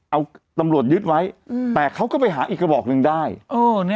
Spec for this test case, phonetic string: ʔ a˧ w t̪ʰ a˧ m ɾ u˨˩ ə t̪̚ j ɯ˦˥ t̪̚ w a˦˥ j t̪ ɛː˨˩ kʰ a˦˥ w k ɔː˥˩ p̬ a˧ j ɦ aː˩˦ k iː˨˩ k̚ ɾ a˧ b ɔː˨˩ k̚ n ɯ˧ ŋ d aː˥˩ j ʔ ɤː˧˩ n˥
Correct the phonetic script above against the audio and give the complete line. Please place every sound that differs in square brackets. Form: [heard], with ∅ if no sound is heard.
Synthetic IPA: ʔ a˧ w [t̪] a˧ m ɾ u˨˩ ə t̪̚ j ɯ˦˥ t̪̚ w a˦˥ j t̪ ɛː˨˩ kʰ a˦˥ w k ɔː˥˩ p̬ a˧ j ɦ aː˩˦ [ʔ] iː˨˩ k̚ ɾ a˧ b ɔː˨˩ k̚ n ɯ˧ ŋ d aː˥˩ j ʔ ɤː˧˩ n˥